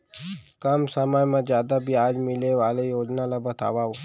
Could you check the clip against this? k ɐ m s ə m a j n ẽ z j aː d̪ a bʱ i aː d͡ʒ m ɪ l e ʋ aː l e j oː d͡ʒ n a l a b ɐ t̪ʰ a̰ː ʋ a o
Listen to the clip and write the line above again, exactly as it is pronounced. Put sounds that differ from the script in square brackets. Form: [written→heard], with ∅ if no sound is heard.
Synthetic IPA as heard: k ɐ m s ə m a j [n→m] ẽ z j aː d̪ a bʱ i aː d͡ʒ m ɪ l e ʋ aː l e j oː d͡ʒ n a l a b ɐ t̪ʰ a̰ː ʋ a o